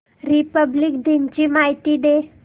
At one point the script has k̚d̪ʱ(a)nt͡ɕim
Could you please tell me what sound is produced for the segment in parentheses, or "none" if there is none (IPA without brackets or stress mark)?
i